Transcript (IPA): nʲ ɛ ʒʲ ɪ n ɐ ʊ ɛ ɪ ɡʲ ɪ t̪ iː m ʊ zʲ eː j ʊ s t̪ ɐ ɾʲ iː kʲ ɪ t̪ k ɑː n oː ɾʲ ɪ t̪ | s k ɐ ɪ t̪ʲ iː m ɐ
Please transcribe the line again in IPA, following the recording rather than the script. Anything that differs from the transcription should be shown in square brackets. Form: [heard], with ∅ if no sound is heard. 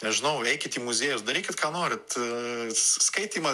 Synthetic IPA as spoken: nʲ ɛ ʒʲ ɪ n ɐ ʊ ɛ ɪ [kʲ] ɪ t̪ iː m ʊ zʲ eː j ʊ s [d̪] ɐ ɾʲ iː kʲ ɪ t̪ k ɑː n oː ɾʲ ɪ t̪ | s k ɐ ɪ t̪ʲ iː m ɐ